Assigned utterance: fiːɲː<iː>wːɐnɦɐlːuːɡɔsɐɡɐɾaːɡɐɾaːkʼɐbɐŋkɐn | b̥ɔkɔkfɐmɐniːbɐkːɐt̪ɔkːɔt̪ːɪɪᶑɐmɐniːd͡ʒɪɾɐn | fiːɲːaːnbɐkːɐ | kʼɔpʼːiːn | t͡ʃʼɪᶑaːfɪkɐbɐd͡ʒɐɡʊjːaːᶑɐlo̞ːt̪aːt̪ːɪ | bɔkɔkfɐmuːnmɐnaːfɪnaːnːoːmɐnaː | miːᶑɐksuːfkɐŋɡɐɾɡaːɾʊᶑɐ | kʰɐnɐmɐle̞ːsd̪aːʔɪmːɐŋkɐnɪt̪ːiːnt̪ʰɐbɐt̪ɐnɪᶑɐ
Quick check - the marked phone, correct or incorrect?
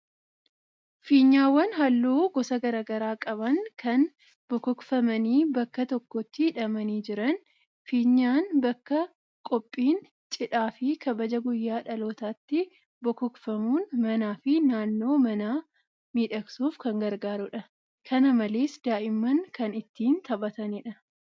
incorrect